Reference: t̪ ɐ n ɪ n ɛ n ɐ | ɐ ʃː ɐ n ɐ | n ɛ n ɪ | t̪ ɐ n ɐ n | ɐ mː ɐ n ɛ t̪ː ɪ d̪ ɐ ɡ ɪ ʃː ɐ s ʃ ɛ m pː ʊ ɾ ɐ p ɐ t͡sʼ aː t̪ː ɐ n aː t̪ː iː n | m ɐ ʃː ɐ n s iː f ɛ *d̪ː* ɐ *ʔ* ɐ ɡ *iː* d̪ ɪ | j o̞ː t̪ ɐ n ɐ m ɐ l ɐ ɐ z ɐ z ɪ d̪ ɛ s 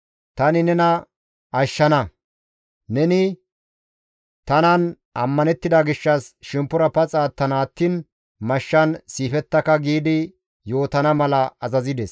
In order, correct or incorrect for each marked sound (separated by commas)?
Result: incorrect, incorrect, correct